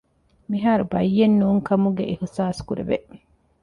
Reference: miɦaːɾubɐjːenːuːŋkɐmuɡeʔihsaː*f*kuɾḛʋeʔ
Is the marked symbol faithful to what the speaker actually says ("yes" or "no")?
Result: no